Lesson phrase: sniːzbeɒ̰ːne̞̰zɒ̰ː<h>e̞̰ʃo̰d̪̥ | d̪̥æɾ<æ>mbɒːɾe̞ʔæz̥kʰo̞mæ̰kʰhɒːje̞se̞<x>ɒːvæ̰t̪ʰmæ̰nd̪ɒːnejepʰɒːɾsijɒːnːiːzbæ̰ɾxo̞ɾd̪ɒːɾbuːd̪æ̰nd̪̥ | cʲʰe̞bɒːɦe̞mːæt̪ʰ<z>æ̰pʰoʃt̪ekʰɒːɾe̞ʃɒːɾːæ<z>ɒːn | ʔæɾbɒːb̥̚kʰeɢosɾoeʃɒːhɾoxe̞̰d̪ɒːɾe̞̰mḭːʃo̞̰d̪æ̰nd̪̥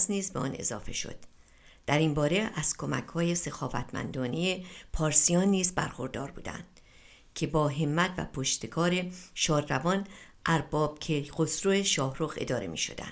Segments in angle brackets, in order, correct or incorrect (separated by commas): incorrect, incorrect, correct, incorrect, incorrect